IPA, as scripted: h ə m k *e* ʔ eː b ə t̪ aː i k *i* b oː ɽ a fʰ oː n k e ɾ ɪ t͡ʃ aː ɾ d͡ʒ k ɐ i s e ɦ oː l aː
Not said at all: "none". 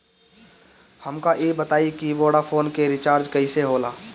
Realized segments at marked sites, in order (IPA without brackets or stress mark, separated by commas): a, i